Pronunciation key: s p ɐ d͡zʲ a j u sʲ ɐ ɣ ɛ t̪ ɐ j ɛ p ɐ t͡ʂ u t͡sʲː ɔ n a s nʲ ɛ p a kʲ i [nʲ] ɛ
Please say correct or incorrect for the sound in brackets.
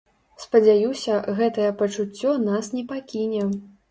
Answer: correct